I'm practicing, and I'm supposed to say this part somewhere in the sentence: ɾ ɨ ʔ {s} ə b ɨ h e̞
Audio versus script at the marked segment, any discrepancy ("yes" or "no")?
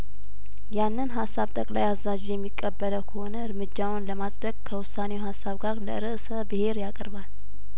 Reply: no